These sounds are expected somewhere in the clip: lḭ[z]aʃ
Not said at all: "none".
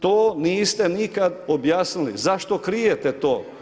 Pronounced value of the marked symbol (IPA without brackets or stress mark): z